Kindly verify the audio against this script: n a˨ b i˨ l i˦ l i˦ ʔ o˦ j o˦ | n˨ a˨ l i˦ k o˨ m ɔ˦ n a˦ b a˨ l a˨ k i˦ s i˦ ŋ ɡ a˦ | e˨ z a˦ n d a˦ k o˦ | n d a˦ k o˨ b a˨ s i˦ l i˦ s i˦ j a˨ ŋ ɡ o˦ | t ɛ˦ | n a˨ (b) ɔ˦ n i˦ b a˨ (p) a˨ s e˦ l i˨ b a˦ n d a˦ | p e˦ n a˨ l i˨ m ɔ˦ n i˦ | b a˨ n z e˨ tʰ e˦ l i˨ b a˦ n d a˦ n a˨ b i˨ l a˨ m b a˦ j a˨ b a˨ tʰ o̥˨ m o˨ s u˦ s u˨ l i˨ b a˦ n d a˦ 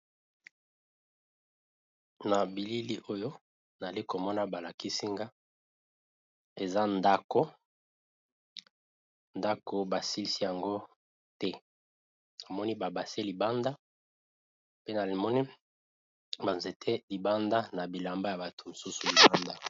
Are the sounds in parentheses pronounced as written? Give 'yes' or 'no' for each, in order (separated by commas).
no, no